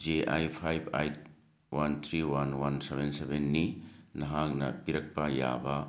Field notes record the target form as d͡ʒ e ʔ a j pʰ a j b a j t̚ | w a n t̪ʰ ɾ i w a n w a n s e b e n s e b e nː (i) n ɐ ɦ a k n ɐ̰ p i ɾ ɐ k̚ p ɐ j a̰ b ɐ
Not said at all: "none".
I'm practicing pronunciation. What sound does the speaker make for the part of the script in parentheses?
i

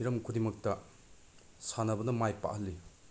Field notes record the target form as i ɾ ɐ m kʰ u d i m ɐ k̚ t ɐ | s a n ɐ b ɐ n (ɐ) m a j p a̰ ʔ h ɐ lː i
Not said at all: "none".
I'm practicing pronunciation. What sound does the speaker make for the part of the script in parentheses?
ɐ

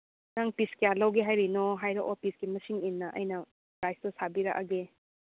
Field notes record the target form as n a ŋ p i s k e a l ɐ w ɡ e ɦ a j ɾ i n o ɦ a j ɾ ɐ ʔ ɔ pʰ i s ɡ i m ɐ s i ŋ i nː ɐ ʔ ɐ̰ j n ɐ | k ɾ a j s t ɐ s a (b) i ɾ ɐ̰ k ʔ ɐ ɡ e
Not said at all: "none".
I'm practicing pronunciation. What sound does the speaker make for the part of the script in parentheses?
b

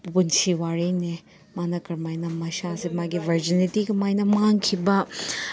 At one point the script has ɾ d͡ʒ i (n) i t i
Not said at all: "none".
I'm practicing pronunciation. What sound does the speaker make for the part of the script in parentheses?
n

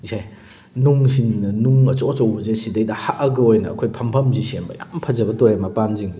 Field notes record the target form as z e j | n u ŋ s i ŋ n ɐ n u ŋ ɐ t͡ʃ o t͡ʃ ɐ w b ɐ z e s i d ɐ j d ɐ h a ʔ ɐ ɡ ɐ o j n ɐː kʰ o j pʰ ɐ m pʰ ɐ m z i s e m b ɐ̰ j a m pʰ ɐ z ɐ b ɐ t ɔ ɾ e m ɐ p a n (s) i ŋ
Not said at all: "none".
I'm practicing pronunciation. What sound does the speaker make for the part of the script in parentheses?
z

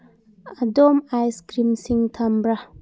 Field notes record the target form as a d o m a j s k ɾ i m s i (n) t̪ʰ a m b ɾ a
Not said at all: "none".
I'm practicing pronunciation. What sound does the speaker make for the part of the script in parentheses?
ŋ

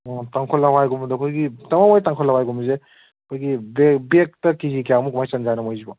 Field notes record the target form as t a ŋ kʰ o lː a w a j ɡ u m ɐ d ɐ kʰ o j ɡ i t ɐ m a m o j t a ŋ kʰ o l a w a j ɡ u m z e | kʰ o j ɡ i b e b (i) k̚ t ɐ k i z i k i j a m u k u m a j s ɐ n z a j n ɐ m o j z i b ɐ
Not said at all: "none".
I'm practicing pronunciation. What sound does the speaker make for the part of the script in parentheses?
e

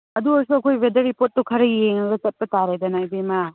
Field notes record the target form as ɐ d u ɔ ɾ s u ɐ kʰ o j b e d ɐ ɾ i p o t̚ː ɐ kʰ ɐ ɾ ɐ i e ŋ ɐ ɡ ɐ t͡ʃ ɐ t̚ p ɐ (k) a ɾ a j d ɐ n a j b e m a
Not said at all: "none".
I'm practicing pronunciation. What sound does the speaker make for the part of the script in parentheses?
t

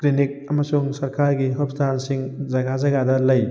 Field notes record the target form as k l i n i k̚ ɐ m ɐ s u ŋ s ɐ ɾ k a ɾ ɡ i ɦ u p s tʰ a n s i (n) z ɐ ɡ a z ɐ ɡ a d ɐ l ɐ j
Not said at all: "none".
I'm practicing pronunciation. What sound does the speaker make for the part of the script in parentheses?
ŋ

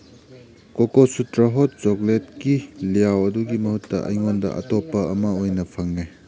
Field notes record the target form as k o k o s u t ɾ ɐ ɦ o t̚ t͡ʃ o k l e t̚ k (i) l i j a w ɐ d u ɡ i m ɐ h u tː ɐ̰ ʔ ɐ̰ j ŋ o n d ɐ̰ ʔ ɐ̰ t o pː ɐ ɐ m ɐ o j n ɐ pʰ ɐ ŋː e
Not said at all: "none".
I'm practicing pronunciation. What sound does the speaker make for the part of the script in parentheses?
i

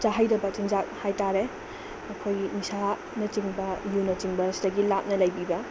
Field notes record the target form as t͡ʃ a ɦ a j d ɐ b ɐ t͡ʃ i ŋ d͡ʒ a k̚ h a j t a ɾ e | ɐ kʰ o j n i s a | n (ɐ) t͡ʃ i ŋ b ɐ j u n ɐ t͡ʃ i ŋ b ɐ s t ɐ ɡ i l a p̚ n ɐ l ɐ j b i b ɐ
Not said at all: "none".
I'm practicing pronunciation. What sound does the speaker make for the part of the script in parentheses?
ɐ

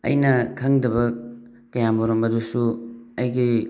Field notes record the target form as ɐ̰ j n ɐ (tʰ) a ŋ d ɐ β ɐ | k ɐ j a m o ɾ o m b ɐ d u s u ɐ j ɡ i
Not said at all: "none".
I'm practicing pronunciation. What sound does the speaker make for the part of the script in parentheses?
kʰ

